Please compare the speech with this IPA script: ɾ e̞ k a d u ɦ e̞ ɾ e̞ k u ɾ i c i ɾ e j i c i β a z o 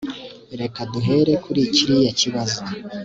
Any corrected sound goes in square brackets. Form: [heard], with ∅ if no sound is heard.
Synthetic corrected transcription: ɾ e̞ k a d u ɦ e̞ ɾ e̞ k u ɾ i c i ɾ [i] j [a] c i β a z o